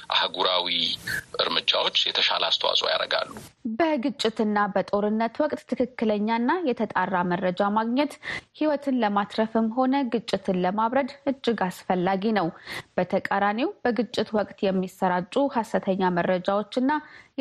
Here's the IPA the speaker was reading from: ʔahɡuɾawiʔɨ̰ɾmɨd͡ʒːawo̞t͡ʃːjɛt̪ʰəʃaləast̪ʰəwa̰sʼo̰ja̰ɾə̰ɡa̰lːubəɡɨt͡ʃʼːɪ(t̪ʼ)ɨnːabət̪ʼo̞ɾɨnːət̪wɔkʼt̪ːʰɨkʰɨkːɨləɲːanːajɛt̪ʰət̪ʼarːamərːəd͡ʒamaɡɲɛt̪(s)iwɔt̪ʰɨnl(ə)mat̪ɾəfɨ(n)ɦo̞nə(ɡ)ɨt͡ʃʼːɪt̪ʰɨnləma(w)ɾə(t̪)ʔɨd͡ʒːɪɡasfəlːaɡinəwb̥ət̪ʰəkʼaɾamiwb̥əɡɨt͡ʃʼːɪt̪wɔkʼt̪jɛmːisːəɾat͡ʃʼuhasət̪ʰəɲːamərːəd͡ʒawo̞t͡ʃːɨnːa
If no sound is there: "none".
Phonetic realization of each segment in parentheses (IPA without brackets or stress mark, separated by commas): t̪, h, ə, m, ɡ, β, d̪